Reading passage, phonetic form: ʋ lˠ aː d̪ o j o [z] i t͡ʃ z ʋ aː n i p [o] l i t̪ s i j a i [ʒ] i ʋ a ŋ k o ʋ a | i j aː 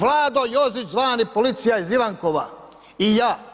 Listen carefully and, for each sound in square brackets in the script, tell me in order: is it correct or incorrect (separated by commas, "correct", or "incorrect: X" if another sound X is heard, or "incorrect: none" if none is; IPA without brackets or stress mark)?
correct, correct, incorrect: z